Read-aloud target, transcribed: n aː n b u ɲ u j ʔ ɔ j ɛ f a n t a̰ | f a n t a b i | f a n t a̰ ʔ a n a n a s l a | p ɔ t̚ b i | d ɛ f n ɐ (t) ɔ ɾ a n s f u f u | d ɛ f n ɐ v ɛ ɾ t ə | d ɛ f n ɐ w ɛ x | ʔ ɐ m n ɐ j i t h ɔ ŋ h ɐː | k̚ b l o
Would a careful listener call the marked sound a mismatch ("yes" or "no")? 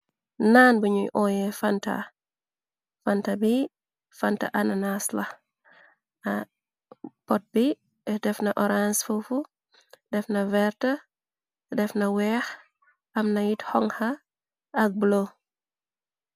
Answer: yes